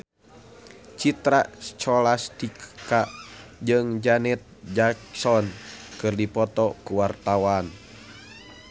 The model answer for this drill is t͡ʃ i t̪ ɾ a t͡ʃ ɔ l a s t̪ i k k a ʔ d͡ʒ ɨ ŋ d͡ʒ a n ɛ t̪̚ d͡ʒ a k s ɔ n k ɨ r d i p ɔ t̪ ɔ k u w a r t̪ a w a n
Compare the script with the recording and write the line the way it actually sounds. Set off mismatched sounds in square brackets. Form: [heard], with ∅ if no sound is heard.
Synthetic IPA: t͡ʃ i t̪ ɾ a t͡ʃ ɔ l a s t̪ i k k a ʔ d͡ʒ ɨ ŋ d͡ʒ a n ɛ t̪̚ d͡ʒ a k s ɔ n k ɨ r d i p ɔ t̪ ɔ k u w a r t̪ a w a n